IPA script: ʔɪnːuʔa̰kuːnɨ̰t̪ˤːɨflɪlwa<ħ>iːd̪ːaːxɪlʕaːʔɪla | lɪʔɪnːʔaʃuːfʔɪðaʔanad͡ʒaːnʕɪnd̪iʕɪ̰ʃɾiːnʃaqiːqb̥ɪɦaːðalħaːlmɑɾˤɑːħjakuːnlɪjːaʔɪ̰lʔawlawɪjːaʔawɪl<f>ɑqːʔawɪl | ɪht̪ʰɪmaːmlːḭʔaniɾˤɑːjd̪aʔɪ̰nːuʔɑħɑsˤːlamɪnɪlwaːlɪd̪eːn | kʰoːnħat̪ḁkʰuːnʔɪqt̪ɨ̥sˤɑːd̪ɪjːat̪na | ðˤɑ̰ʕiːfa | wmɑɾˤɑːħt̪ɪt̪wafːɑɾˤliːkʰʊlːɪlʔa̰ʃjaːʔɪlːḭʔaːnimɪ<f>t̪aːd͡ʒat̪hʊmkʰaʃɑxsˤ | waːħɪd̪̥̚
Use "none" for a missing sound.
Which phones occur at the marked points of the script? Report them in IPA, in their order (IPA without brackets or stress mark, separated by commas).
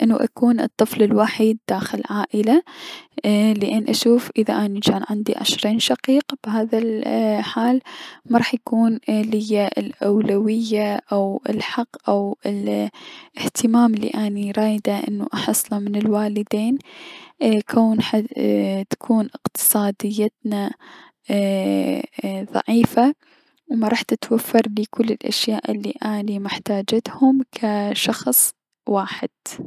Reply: ħ, ħ, ħ